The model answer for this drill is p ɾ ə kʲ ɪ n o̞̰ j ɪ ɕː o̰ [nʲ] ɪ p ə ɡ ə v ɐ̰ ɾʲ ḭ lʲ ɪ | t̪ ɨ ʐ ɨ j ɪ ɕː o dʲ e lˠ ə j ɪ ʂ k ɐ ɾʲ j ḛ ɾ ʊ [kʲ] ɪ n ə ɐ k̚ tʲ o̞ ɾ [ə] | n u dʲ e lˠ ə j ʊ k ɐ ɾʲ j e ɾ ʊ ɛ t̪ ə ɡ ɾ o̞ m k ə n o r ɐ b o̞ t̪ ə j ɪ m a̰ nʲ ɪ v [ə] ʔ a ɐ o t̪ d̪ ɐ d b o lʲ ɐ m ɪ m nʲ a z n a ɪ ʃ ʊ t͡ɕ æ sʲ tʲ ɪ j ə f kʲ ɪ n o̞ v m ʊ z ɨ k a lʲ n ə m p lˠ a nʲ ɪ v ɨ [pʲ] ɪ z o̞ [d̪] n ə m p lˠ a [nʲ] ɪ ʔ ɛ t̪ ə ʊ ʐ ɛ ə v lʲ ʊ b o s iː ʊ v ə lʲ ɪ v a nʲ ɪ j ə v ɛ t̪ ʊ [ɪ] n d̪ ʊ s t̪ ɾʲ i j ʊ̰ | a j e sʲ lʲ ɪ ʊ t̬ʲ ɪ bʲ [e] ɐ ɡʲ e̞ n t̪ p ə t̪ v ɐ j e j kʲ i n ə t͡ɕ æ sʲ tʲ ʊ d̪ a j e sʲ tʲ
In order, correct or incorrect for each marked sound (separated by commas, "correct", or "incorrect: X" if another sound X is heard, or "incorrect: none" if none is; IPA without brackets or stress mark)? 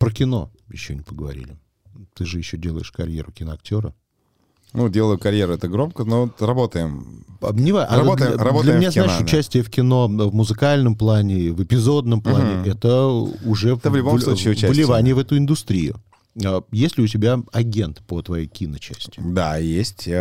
correct, correct, correct, incorrect: a, correct, correct, correct, correct, incorrect: a